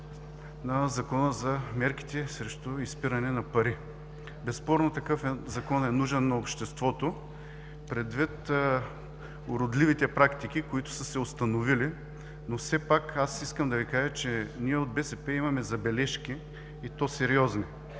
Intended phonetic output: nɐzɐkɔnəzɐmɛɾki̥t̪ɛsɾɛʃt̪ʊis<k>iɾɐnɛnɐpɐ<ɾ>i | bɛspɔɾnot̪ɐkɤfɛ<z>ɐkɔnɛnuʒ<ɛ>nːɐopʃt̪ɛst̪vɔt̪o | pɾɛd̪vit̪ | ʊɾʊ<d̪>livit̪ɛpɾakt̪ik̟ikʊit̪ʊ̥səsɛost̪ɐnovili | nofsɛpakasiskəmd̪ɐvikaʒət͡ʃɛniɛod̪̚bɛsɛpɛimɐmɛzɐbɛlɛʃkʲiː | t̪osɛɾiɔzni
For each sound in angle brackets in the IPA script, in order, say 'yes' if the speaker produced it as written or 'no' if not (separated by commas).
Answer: no, yes, yes, yes, yes